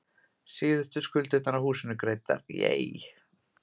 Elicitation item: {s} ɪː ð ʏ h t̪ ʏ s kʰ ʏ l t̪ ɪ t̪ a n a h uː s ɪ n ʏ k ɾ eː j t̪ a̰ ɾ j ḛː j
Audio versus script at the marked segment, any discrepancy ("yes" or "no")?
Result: no